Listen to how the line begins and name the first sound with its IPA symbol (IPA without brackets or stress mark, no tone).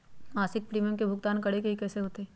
m